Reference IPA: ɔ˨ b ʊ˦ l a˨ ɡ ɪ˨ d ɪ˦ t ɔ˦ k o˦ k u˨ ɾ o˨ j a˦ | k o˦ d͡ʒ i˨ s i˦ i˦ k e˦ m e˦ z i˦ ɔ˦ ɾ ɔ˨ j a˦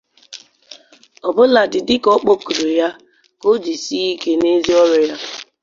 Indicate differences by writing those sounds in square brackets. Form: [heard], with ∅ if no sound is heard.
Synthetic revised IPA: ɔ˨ b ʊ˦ l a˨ [d] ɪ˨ d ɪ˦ [k] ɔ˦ [k͡p] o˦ k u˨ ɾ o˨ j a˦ | k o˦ d͡ʒ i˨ s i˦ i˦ k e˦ [n] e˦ z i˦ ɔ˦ ɾ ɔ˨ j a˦